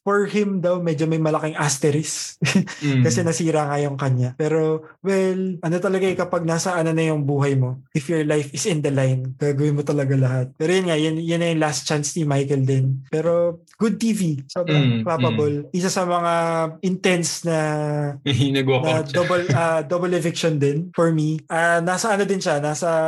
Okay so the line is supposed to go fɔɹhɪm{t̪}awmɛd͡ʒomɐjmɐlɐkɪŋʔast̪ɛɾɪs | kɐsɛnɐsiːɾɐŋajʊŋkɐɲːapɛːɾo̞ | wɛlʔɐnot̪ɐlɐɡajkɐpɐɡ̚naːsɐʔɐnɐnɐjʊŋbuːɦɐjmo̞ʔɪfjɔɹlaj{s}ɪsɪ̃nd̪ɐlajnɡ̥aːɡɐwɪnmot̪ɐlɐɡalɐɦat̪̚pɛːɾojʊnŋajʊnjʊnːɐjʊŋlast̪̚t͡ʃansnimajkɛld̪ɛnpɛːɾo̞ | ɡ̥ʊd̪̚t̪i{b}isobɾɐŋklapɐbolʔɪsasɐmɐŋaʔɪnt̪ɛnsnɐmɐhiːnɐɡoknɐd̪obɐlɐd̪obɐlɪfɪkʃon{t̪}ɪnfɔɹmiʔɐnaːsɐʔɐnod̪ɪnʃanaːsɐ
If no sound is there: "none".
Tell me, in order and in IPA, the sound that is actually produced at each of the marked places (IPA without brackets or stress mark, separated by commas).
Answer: d̪, f, v, d̪